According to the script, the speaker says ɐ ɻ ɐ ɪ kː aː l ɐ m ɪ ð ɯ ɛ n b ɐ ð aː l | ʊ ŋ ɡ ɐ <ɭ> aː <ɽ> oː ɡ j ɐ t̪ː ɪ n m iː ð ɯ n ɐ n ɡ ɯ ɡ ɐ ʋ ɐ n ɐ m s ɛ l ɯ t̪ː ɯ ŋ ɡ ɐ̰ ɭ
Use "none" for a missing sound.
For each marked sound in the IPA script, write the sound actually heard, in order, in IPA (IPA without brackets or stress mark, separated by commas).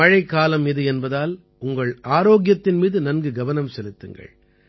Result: ɭ, ɾ